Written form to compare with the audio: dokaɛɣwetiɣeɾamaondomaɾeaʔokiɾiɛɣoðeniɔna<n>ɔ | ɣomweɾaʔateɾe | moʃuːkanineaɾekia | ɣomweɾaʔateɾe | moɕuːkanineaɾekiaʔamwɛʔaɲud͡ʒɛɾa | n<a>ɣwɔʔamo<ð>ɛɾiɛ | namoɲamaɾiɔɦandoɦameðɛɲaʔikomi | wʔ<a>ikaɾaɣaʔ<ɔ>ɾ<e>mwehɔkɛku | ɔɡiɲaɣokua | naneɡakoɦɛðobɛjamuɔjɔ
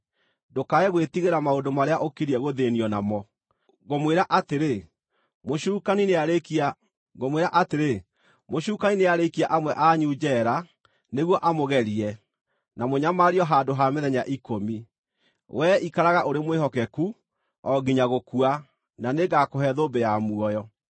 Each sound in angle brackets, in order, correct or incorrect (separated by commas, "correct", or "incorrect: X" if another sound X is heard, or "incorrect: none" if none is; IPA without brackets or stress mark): incorrect: m, incorrect: e, incorrect: ɣ, incorrect: ɛ, incorrect: o, correct